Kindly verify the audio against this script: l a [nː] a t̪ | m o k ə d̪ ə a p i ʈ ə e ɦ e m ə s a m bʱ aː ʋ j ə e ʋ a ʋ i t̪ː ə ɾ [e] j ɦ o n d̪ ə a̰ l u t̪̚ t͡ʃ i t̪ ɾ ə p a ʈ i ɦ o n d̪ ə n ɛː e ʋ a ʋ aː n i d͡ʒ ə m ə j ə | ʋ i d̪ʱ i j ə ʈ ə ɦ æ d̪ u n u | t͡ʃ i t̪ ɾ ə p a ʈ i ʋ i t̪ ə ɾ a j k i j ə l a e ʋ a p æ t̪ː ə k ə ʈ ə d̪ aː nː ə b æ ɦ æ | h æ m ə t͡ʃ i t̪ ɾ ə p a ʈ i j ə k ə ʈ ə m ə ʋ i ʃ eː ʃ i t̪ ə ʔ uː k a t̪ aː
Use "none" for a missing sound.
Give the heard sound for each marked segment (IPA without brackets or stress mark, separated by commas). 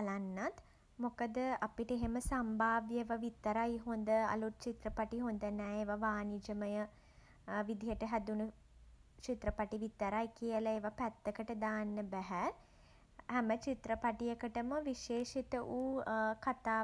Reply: nː, a